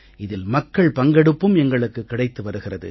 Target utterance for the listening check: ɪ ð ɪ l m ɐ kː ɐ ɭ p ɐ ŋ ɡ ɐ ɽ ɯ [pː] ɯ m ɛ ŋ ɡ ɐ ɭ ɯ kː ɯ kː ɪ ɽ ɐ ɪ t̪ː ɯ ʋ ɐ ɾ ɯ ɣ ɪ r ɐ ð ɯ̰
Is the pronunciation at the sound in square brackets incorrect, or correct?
correct